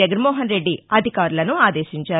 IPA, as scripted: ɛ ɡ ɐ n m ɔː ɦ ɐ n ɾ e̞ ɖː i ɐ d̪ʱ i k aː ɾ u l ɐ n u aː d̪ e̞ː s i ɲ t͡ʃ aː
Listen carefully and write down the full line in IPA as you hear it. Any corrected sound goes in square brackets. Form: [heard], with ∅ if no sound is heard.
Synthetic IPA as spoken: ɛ ɡ ɐ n m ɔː ɦ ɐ n ɾ e̞ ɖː i ɐ d̪ʱ i k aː ɾ u l ɐ n u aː d̪ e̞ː [ʃ] i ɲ t͡ʃ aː